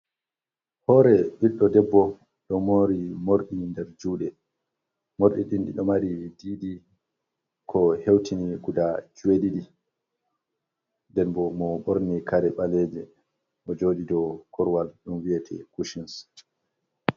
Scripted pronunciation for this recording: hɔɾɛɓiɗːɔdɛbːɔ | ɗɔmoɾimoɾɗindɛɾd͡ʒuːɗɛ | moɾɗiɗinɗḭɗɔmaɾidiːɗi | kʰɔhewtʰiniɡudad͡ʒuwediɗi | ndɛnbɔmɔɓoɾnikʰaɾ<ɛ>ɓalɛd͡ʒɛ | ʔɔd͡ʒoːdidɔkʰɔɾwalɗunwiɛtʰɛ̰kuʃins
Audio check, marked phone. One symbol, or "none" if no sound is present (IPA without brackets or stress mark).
ɛ